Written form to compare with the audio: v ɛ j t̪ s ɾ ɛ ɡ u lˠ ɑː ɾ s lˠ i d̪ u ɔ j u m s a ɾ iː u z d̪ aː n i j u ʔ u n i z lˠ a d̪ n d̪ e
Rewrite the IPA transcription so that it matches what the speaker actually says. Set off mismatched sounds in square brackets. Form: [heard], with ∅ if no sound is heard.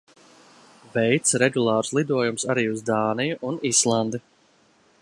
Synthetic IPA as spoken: v ɛ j t̪ s ɾ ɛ ɡ u lˠ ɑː ɾ s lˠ i d̪ u ɔ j u m s a ɾ iː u z d̪ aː n i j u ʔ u n i [s] lˠ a [∅] n d̪ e